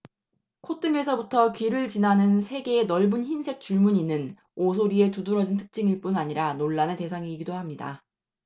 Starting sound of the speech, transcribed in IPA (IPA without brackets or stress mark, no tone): kʰ